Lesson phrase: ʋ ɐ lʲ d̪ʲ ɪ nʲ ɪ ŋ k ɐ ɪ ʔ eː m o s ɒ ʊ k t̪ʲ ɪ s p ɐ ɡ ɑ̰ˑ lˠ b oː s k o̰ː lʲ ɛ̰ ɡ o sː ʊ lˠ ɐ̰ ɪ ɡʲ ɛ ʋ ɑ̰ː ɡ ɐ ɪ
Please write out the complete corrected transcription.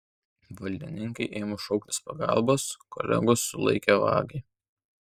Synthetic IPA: ʋ ɐ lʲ d̪ʲ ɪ nʲ ɪ ŋ k ɐ ɪ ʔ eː m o ʃ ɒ ʊ k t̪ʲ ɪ s p ɐ ɡ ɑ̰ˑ lˠ b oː s k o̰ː lʲ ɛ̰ ɡ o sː ʊ lˠ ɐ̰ ɪ kʲ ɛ ʋ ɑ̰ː ɡ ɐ ɪ